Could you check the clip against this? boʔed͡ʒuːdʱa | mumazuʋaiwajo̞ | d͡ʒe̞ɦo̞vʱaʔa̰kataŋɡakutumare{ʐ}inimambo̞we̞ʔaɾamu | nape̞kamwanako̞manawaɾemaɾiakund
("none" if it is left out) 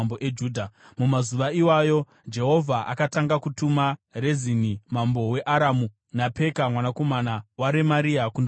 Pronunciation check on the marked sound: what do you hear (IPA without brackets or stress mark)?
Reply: z